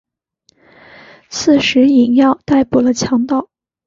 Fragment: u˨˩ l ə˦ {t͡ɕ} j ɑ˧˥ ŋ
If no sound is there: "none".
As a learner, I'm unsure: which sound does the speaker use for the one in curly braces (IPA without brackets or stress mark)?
t͡ɕʰ